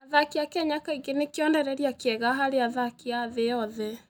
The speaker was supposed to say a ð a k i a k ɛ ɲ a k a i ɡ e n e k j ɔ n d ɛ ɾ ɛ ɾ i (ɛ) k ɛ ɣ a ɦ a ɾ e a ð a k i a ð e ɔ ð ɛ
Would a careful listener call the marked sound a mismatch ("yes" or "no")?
yes